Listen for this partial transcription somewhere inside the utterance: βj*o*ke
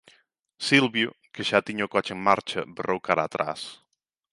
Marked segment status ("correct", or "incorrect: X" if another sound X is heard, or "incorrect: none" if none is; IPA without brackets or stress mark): incorrect: u